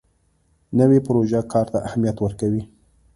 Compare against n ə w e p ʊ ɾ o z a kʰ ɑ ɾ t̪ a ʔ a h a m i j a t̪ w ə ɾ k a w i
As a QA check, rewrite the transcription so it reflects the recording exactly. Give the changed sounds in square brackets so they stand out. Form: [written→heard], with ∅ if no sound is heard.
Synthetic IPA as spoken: n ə w e p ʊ ɾ o [z→ʒ] a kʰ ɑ ɾ t̪ a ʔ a h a m i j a t̪ w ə ɾ k a w i